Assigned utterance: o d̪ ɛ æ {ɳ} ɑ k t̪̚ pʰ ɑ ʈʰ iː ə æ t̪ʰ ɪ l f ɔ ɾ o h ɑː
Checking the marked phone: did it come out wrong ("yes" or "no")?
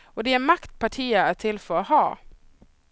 yes